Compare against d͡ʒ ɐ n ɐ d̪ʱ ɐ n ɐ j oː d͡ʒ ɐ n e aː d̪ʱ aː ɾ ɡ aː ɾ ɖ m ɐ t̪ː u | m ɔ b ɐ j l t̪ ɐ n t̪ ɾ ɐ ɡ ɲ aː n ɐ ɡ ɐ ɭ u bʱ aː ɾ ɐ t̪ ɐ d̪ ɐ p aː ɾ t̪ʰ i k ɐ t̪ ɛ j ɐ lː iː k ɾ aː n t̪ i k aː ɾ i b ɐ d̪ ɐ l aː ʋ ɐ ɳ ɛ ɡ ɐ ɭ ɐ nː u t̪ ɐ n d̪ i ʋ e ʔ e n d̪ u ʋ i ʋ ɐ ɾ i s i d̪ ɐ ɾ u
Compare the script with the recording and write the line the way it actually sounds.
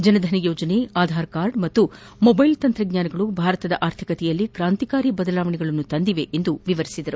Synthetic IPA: d͡ʒ ɐ n ɐ d̪ʱ ɐ n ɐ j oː d͡ʒ ɐ n e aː d̪ʱ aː ɾ k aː ɾ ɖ m ɐ t̪ː u | m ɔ b ɐ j l t̪ ɐ n t̪ ɾ ɐ ɡ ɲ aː n ɐ ɡ ɐ ɭ u bʱ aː ɾ ɐ t̪ ɐ d̪ ɐ ʔ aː ɾ t̪ʰ i k ɐ t̪ ɛ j ɐ lː i k ɾ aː n t̪ i k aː ɾ i b ɐ d̪ ɐ l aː ʋ ɐ ɳ ɛ ɡ ɐ ɭ ɐ nː u t̪ ɐ n d̪ i ʋ e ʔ e n d̪ u ʋ i ʋ ɐ ɾ i s i d̪ ɐ ɾ u